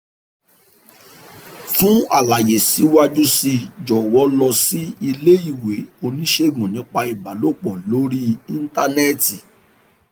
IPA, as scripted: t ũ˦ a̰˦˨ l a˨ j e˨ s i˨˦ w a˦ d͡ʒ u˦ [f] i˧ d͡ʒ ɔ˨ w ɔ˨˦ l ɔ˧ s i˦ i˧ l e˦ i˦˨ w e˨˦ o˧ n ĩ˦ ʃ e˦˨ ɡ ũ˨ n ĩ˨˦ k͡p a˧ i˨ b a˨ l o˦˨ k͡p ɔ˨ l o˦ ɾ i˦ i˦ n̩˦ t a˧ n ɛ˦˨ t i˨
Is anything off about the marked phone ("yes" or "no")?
yes